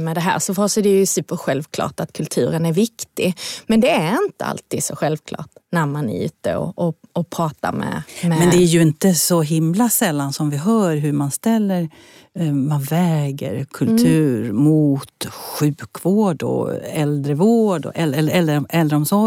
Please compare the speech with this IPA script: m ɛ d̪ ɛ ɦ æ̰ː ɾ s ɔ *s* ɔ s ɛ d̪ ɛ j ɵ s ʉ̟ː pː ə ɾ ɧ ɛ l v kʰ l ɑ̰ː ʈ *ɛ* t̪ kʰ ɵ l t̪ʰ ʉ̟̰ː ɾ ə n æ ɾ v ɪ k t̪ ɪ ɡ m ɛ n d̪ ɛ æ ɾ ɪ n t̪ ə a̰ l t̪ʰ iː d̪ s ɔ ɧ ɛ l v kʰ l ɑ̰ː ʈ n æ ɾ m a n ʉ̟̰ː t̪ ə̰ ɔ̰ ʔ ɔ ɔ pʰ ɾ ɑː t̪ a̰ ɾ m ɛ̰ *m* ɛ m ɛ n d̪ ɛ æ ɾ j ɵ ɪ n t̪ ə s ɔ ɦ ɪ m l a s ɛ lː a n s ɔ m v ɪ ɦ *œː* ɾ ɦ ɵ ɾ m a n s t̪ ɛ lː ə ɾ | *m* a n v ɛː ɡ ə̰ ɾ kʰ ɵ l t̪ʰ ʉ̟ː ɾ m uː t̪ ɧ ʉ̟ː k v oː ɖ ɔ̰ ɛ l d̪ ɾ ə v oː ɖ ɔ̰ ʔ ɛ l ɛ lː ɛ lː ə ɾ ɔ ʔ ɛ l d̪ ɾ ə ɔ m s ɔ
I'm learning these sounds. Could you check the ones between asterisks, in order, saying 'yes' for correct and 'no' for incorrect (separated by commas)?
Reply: no, no, yes, yes, yes